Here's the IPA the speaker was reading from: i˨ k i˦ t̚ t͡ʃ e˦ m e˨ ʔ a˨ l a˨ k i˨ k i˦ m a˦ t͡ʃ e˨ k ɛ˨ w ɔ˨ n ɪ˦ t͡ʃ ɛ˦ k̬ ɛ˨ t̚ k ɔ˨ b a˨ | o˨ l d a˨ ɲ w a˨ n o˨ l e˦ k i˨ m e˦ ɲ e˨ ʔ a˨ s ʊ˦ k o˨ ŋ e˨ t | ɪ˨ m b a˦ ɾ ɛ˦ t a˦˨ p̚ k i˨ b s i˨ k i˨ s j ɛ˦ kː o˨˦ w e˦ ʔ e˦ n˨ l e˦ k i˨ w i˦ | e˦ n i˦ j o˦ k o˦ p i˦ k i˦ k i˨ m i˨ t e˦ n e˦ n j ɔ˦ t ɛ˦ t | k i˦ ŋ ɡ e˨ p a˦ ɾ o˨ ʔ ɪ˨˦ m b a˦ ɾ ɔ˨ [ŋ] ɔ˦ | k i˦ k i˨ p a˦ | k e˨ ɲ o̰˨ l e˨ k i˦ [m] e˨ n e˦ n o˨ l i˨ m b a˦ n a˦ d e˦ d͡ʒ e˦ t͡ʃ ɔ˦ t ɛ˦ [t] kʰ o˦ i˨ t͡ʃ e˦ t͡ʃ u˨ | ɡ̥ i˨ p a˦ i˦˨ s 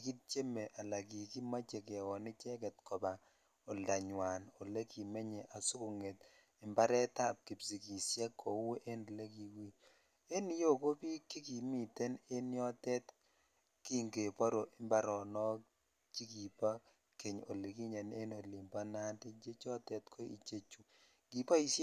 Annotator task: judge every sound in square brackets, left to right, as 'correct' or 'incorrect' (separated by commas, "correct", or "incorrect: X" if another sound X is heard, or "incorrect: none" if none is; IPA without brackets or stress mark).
incorrect: n, incorrect: ɲ, correct